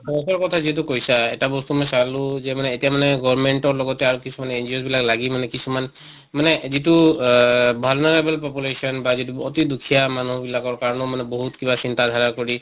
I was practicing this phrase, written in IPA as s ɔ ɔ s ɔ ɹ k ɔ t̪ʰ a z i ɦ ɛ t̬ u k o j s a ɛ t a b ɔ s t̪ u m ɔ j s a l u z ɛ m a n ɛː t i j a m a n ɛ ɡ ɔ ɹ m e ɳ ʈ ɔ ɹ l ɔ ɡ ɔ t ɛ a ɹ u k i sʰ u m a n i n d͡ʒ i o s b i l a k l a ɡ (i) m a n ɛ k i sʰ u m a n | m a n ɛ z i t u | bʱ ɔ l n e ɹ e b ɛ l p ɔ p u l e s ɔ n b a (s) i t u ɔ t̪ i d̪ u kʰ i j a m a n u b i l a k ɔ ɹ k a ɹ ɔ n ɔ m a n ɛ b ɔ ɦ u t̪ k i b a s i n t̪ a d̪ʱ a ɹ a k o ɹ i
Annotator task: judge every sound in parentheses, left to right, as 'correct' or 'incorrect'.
correct, incorrect: z

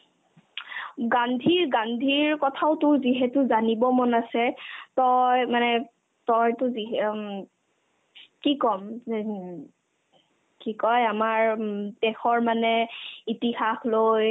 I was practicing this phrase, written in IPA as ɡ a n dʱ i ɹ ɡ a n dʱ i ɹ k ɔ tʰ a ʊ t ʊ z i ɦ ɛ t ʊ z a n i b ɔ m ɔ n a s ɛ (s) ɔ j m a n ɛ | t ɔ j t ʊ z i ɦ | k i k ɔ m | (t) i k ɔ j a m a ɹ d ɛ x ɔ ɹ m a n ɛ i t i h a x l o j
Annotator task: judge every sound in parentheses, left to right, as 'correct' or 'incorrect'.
incorrect: t, incorrect: k

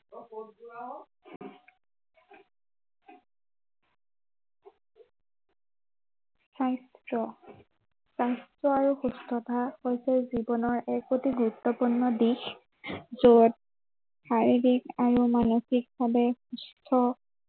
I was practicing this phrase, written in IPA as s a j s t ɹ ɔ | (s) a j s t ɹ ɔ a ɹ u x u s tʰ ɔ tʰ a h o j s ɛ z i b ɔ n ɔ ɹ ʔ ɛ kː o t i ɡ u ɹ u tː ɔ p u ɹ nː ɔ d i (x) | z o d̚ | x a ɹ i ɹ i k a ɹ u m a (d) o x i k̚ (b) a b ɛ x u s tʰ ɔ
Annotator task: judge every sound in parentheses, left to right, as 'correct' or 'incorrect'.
correct, correct, incorrect: n, correct

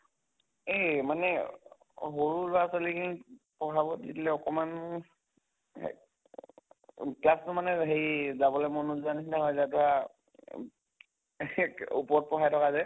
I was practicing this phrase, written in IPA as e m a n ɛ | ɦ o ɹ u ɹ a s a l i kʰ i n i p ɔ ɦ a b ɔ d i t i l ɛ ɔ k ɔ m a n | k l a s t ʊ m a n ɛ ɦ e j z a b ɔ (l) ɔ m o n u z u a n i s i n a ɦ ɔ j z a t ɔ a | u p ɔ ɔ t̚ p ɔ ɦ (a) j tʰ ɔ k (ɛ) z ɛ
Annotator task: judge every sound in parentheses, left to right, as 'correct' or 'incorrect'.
correct, correct, incorrect: a

